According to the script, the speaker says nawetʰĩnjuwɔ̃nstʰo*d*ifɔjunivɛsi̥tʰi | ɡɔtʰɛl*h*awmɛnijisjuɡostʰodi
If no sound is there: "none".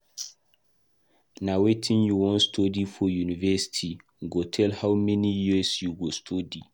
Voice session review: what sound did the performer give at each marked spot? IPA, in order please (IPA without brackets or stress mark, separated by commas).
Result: d, h